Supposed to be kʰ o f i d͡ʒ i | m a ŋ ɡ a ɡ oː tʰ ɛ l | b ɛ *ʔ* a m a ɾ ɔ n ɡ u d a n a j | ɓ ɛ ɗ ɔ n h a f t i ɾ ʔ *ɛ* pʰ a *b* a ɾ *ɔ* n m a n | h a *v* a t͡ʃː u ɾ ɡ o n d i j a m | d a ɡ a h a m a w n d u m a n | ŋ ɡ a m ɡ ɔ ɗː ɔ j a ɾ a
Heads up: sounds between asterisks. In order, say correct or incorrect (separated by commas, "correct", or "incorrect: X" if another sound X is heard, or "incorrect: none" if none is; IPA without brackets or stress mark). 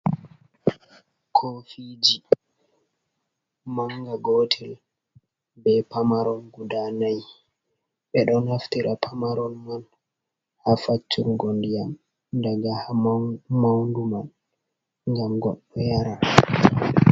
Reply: incorrect: p, incorrect: a, incorrect: m, correct, incorrect: f